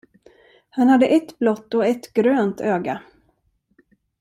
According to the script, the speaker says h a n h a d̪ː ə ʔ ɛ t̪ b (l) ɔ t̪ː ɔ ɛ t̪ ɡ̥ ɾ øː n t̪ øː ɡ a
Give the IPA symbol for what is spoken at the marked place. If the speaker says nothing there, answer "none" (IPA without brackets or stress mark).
l